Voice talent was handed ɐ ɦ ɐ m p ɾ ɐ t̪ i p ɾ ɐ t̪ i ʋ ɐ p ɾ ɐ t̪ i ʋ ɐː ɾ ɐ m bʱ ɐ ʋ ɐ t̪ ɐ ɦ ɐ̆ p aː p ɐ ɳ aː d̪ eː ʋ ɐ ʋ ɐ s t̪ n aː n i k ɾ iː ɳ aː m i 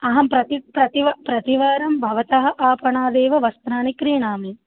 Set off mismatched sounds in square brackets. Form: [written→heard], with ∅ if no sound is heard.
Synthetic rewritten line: ɐ ɦ ɐ m p ɾ ɐ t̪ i p ɾ ɐ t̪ i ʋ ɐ p ɾ ɐ t̪ i ʋ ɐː ɾ ɐ m bʱ ɐ ʋ ɐ t̪ ɐ ɦ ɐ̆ [p→ʔ] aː p ɐ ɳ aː d̪ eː ʋ ɐ ʋ ɐ s t̪ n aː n i k ɾ iː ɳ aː m i